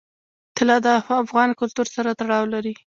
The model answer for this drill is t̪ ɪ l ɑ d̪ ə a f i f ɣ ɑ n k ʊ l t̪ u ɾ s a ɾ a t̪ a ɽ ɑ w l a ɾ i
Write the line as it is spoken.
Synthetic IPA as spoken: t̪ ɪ l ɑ d̪ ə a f a f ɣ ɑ n k ʊ l t̪ u ɾ s a ɾ a t̪ a ɽ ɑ w l a ɾ i